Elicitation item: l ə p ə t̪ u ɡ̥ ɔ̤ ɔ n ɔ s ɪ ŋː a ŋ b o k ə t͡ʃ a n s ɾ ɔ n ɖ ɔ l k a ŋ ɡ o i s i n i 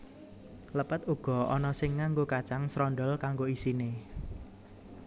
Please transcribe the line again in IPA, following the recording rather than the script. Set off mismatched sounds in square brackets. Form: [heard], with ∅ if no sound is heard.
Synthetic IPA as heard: l ə p ə t̪ u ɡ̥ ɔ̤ ɔ n ɔ s ɪ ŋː a ŋ [ɡ] o k [a] t͡ʃ a [ŋ] s ɾ ɔ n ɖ ɔ l k a ŋ ɡ o i s i n [e]